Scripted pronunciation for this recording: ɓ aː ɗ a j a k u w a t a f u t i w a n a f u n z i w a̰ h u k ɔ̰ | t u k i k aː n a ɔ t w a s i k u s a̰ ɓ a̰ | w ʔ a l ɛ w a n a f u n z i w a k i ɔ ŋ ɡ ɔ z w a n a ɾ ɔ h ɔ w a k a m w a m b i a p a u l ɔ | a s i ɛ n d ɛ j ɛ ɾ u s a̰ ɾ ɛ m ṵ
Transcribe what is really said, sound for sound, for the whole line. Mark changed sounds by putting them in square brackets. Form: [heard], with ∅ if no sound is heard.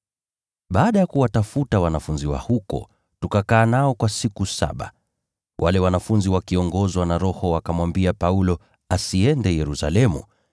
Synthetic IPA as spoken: ɓ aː ɗ a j a k u w a t a f u t [a] w a n a f u n z i w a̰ h u k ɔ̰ | t u k [a] k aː n a ɔ [k] w a s i k u s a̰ ɓ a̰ | w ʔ a l ɛ w a n a f u n z i w a k i ɔ ŋ ɡ ɔ z w a n a ɾ ɔ h ɔ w a k a m w a m b i a p a u l ɔ | a s i ɛ n d ɛ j ɛ ɾ u s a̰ [l] ɛ m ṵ